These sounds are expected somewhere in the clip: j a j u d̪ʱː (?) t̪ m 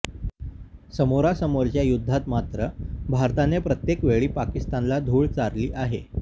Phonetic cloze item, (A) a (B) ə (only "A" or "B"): A